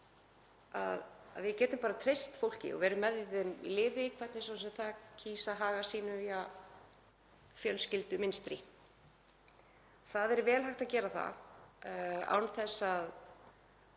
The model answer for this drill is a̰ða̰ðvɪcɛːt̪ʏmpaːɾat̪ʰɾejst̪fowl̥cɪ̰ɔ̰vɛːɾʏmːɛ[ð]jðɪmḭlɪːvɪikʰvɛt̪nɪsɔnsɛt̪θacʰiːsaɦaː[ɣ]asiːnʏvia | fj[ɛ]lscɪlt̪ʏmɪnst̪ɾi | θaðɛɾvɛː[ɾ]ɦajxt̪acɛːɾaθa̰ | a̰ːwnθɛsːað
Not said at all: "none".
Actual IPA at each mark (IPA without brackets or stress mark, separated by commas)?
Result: ð, ɣ, œ, l